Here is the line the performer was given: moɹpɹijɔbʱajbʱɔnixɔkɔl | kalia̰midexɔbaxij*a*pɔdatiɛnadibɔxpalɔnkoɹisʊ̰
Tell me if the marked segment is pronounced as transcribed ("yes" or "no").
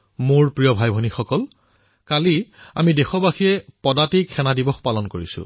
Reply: no